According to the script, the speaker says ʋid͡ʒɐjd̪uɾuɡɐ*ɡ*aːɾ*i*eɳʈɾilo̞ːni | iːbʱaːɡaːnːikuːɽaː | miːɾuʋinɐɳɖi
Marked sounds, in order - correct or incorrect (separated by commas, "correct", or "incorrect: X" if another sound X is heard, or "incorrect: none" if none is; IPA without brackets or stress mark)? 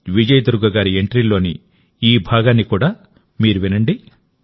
correct, correct